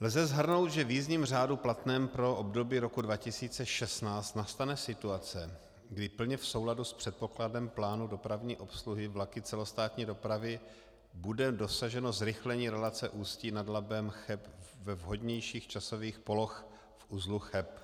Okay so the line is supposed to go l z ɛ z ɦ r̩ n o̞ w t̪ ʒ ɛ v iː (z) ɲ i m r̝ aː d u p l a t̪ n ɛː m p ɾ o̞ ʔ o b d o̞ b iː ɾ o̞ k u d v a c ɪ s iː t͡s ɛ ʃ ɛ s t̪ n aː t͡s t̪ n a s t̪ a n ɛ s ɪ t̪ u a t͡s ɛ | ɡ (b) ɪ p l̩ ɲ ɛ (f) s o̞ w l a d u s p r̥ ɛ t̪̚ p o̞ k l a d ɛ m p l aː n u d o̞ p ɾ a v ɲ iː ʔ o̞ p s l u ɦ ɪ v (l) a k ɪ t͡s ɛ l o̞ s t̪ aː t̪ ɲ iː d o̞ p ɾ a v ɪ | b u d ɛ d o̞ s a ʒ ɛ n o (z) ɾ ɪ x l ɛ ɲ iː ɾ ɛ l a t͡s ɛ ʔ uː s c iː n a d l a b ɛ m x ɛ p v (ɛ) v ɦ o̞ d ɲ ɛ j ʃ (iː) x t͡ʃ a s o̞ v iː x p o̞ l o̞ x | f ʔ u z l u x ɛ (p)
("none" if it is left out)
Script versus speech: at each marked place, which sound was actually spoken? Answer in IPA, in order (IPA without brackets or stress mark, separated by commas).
z, d, f, l, z, ɛ, iː, p